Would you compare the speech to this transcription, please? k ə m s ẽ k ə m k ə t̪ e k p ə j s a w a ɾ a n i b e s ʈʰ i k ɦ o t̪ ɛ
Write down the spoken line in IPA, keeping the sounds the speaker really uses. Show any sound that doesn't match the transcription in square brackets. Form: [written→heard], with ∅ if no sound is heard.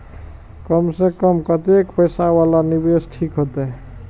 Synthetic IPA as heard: k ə m s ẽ k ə m k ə t̪ e k p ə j s a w a [ɾ→l] a n i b e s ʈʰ i k ɦ o t̪ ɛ